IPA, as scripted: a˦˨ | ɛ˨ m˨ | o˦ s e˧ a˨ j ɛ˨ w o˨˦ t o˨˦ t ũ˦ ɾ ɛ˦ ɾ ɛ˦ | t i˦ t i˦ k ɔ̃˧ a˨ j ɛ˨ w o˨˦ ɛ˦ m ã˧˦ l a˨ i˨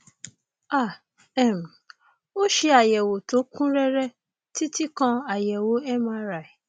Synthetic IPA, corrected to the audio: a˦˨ | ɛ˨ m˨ | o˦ ʃ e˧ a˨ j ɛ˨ w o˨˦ t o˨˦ k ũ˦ ɾ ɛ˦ ɾ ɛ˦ | t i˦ t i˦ k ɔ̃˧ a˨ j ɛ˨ w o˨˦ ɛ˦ m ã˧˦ ɾ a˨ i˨